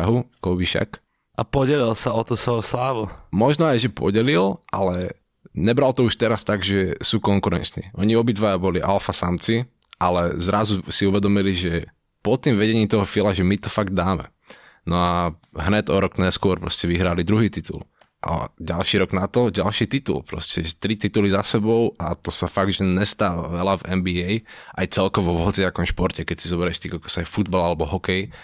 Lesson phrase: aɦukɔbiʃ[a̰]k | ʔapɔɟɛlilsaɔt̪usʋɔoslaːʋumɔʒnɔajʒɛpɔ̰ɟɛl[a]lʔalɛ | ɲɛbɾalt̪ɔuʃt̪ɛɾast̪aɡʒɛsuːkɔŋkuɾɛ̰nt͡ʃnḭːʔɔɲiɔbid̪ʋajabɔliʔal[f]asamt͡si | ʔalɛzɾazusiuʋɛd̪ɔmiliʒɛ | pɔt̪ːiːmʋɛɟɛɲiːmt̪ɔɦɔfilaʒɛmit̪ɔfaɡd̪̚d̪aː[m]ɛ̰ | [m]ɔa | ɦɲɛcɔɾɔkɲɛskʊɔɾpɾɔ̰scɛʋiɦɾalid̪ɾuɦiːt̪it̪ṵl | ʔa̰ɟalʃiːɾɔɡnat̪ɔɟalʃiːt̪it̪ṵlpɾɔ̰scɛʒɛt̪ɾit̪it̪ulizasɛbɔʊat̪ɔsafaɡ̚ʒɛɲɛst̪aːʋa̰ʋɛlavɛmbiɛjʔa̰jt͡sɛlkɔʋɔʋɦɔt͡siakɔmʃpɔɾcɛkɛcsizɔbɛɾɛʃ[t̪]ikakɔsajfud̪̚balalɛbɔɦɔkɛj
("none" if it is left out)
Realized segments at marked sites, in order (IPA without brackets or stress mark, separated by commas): a̰, i, f, m, n, t̪